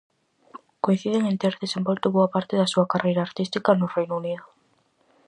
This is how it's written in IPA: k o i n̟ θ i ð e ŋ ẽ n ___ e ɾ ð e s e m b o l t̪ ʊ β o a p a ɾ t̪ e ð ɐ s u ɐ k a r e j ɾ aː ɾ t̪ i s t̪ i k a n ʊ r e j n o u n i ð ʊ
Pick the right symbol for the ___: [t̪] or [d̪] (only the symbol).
t̪